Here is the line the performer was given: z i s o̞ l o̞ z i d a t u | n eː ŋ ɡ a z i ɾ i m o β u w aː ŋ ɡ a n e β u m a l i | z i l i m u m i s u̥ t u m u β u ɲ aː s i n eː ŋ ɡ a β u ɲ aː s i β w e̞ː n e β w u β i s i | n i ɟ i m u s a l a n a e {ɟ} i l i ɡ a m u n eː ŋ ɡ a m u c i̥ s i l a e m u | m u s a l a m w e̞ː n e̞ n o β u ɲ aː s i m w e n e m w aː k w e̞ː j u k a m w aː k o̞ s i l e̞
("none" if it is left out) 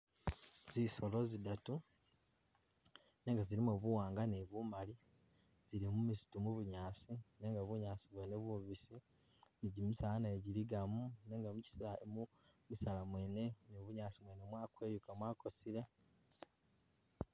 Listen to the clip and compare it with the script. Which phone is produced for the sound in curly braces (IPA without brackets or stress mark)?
ɟ